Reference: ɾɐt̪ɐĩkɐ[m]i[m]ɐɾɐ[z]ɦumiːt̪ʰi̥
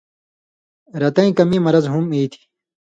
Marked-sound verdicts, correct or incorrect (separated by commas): correct, correct, correct